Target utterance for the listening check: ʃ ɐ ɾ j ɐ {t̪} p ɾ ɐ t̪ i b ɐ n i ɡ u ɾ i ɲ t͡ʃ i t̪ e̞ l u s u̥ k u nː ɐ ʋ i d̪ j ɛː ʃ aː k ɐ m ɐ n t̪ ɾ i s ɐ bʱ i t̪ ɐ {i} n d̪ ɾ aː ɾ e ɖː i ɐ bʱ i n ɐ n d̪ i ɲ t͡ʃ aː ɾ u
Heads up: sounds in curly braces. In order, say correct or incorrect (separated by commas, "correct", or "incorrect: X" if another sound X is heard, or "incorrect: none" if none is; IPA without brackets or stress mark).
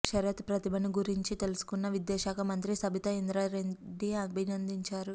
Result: correct, correct